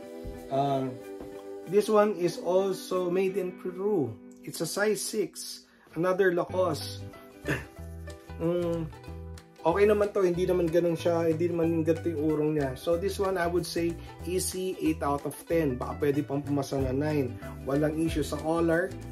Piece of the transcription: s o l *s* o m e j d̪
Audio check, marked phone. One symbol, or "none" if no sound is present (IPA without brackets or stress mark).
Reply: s